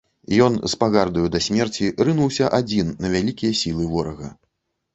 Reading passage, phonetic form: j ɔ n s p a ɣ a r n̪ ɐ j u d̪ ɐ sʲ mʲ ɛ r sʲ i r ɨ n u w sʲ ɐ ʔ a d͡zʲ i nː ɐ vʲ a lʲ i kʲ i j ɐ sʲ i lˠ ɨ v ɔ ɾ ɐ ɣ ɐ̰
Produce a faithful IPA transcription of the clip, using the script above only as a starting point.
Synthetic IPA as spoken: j ɔ n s p a ɣ a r d̪ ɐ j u d̪ ɐ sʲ mʲ ɛ r t͡sʲ i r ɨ n u w sʲ ɐ ʔ a d͡zʲ i nː ɐ vʲ a lʲ i kʲ i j ɐ sʲ i lˠ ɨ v ɔ ɾ ɐ ɣ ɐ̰